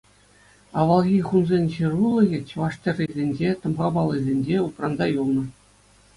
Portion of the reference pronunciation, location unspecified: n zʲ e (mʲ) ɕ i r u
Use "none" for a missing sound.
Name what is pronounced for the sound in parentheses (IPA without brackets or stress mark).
nʲ